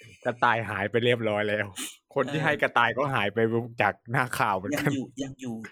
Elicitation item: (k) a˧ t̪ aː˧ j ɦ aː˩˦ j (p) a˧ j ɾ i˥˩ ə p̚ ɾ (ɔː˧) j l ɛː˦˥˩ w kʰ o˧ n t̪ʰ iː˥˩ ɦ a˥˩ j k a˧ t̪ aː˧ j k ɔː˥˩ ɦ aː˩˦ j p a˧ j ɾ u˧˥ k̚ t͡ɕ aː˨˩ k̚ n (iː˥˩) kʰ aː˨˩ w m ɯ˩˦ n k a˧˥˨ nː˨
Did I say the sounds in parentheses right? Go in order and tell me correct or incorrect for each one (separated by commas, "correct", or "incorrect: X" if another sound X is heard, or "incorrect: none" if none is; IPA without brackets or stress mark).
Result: correct, correct, incorrect: ɔː˦˥, incorrect: aː˥˩